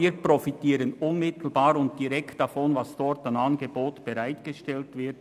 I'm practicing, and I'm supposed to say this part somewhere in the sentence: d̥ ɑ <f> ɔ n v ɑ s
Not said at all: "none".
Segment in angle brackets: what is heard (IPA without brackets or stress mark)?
f